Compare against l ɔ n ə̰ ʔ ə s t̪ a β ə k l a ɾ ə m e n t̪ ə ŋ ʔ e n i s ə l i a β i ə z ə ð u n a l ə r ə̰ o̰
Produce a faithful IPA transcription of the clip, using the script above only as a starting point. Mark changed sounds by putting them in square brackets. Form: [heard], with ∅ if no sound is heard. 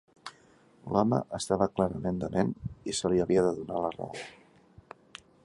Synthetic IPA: l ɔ [m] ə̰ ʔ ə s t̪ a β ə k l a ɾ ə m e n [d̪] ə [m] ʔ e n i s ə l i [ə] β i ə [ð] ə ð u n a l ə r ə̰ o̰